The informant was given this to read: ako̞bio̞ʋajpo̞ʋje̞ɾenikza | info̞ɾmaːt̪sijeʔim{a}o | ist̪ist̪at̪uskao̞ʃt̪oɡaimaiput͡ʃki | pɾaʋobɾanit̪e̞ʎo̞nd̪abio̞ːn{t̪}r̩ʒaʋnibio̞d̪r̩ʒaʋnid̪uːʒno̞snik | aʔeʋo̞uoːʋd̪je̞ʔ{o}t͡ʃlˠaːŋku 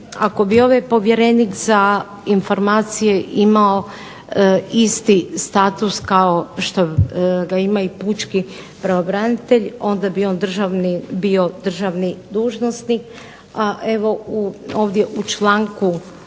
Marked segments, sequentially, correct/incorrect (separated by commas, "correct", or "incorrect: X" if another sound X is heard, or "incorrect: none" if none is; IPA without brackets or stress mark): correct, incorrect: d̪, incorrect: u